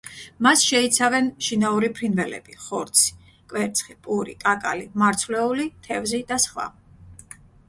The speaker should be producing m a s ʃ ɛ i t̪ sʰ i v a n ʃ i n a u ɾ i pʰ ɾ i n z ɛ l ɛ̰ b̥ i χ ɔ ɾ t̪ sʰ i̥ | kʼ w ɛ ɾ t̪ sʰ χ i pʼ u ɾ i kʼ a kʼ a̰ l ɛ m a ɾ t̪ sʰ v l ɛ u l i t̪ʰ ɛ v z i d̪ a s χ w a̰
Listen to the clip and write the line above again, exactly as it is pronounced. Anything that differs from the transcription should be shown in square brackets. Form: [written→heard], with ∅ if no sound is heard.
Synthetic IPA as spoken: m a s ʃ ɛ i t̪ sʰ [i→a] v [a→ɛ] n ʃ i n a u ɾ i pʰ ɾ i n [z→v] ɛ l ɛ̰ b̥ i χ ɔ ɾ t̪ sʰ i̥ | kʼ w ɛ ɾ t̪ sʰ χ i pʼ u ɾ i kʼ a kʼ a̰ l [ɛ→i] m a ɾ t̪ sʰ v l ɛ u l i t̪ʰ ɛ v z i d̪ a s χ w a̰